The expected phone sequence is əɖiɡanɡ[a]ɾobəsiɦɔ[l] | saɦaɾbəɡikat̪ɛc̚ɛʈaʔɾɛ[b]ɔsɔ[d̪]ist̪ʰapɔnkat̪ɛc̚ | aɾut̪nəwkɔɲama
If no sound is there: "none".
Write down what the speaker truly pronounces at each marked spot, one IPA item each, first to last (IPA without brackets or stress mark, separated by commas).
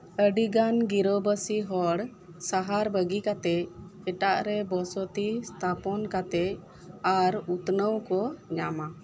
i, ɽ, b, t̪